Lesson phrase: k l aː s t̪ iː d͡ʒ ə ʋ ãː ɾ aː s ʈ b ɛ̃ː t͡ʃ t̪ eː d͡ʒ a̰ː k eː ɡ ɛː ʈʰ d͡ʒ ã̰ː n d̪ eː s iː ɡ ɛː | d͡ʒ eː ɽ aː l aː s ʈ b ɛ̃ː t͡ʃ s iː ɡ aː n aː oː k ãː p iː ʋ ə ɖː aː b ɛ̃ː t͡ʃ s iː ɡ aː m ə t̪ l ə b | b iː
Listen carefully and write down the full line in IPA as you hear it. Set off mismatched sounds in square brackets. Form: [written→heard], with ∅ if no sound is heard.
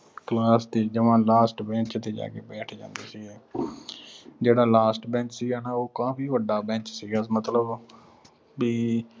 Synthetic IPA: k l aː s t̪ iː d͡ʒ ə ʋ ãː [ɾ→l] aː s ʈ b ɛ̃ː t͡ʃ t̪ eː d͡ʒ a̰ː k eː [ɡ→b] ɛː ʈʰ d͡ʒ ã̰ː n d̪ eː s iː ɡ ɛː | d͡ʒ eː ɽ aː l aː s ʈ b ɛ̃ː t͡ʃ s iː ɡ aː n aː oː k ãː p iː ʋ ə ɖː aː b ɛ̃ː t͡ʃ s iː ɡ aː m ə t̪ l ə b | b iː